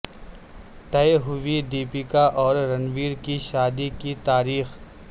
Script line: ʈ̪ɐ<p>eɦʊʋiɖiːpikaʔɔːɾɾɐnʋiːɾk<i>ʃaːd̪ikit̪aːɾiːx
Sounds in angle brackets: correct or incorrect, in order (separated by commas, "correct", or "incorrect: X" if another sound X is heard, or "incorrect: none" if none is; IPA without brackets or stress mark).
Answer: incorrect: none, correct